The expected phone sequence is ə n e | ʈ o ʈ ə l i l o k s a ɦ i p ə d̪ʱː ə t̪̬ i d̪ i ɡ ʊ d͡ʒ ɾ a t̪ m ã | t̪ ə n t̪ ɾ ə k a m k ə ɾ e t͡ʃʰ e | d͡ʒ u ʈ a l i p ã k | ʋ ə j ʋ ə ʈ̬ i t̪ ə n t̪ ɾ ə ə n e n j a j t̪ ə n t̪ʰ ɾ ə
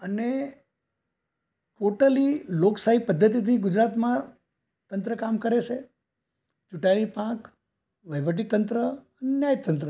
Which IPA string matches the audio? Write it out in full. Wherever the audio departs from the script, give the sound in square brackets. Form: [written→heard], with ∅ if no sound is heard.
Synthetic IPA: ə n e | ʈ o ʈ ə l i l o k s a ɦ i p ə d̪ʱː ə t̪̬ i [d̪→t̪] i ɡ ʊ d͡ʒ ɾ a t̪ m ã | t̪ ə n t̪ ɾ ə k a m k ə ɾ e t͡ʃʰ e | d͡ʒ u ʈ a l i p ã k | ʋ ə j ʋ ə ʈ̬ i t̪ ə n t̪ ɾ ə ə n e n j a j t̪ ə n [t̪ʰ→t̪] ɾ ə